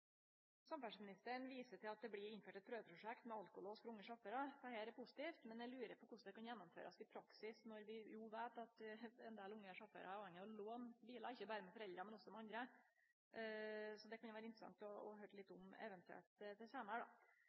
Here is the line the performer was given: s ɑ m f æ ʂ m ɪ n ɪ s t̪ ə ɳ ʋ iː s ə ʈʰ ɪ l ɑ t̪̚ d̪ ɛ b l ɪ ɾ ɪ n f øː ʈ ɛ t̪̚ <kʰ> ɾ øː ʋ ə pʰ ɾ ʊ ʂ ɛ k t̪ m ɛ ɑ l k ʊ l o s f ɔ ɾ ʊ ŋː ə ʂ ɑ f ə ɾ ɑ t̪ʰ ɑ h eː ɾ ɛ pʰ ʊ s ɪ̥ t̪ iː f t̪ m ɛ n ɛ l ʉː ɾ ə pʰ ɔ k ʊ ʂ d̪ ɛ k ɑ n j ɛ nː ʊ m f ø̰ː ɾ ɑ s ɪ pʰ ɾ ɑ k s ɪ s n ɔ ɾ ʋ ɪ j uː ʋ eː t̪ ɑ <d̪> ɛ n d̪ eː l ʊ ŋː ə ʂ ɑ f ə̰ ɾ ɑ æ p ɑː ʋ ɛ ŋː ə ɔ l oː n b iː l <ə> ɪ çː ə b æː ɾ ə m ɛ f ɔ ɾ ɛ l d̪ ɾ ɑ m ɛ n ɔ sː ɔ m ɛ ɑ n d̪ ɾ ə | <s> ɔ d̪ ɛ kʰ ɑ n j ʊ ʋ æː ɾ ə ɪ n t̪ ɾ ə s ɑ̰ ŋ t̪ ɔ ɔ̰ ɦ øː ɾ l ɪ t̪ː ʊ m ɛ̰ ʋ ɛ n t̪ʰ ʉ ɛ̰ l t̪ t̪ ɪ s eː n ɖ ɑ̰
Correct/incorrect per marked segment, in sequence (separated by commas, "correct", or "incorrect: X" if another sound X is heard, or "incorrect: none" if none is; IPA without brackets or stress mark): incorrect: pʰ, incorrect: t̪, incorrect: ɑ, correct